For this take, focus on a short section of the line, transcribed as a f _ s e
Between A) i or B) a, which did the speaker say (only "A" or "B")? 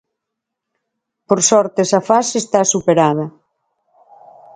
B